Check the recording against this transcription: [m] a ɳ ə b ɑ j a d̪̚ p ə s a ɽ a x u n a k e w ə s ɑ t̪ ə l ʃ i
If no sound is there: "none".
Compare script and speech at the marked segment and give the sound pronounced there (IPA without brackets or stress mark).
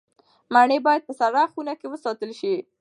m